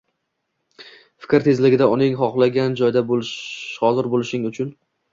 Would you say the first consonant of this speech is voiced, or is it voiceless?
voiceless